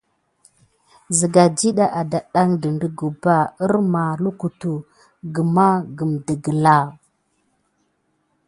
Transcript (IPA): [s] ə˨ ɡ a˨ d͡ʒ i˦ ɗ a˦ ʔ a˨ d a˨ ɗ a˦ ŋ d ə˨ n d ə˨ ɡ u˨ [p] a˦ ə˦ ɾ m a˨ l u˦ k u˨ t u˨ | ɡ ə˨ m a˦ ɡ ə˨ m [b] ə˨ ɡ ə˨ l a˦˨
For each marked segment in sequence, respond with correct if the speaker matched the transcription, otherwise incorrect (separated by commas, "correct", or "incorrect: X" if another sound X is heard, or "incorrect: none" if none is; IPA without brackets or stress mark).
incorrect: z, incorrect: b, incorrect: d